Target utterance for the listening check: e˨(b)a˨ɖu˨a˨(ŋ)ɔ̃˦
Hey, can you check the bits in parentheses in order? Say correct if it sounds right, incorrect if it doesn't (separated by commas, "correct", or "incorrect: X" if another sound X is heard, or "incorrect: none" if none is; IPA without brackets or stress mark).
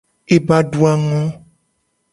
correct, correct